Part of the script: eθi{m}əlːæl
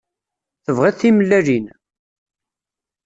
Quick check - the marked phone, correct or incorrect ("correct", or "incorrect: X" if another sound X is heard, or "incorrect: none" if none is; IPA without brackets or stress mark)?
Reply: correct